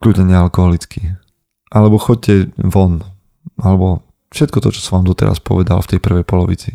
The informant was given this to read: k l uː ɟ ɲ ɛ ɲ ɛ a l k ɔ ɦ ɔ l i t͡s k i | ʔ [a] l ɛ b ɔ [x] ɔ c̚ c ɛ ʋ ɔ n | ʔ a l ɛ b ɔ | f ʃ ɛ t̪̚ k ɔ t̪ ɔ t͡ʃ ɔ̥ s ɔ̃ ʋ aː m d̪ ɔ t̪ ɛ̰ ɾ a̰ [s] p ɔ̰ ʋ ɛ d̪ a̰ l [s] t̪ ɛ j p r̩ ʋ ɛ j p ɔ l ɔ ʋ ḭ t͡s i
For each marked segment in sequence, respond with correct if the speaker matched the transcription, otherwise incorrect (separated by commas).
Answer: correct, correct, correct, incorrect